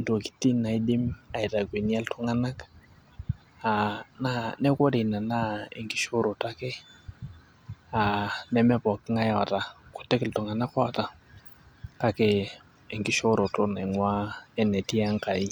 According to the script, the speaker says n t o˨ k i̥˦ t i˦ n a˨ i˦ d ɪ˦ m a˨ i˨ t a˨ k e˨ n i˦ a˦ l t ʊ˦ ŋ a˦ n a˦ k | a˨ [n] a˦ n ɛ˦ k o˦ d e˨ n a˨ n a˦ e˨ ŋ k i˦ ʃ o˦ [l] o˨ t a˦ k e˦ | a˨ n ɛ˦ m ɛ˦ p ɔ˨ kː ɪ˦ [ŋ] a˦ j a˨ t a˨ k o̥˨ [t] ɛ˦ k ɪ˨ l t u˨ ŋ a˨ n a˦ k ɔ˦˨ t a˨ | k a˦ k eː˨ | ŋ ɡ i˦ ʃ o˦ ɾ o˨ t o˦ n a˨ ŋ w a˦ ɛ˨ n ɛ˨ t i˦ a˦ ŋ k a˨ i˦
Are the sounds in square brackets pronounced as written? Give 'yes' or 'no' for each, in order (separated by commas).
yes, no, yes, yes